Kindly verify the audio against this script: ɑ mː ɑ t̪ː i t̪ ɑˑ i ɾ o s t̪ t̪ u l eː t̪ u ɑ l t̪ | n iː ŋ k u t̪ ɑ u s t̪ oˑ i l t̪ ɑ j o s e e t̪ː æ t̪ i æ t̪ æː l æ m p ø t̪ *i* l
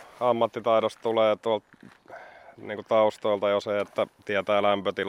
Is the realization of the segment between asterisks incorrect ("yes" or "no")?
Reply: no